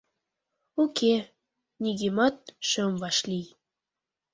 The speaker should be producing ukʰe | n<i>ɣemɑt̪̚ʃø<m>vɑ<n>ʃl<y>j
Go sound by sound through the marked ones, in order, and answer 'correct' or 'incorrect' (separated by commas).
correct, correct, incorrect, incorrect